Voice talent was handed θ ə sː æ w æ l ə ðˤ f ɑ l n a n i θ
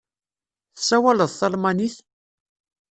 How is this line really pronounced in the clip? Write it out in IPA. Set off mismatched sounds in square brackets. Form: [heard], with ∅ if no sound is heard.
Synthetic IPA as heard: θ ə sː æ w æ l ə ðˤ [θ] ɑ l [m] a n i θ